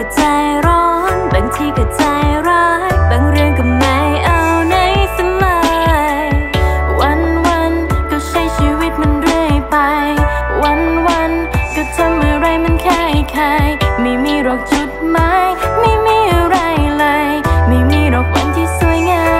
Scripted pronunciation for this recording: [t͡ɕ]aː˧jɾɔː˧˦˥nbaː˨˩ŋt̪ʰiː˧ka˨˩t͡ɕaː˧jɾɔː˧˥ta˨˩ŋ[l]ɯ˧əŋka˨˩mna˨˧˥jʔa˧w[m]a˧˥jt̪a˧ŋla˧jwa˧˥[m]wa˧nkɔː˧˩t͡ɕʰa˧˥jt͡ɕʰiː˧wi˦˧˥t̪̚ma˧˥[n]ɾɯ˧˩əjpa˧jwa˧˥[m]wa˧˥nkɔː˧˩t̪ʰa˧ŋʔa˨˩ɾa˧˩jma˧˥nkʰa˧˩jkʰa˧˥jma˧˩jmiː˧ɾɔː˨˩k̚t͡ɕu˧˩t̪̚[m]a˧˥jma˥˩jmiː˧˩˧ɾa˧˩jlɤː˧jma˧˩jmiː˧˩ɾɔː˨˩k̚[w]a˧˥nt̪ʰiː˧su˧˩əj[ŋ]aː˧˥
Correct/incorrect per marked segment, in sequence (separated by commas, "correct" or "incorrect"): correct, incorrect, incorrect, incorrect, correct, incorrect, correct, correct, correct